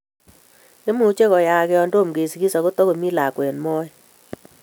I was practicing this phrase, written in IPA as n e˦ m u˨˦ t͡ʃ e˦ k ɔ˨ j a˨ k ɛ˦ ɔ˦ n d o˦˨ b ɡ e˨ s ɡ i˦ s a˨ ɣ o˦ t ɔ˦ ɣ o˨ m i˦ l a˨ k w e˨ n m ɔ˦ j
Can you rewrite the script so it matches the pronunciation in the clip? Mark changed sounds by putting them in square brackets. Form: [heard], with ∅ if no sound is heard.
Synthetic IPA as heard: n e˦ m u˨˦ t͡ʃ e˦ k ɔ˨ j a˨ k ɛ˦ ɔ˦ n d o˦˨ [m] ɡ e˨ s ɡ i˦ s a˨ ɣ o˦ t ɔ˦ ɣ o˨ m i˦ l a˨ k w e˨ n m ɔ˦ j